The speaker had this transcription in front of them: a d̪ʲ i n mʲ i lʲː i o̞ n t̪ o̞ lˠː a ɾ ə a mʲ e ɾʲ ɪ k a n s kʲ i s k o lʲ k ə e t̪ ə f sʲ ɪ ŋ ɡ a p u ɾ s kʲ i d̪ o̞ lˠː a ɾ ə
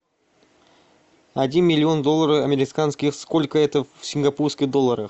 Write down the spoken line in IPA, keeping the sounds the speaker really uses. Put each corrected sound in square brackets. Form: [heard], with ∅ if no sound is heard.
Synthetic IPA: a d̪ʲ i n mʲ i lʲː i o̞ n [d̪] o̞ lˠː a ɾ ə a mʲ e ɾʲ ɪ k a n s kʲ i s k o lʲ k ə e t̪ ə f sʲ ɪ ŋ ɡ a p u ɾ s kʲ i d̪ o̞ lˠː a ɾ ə